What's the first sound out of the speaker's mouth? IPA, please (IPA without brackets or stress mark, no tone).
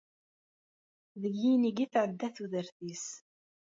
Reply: ð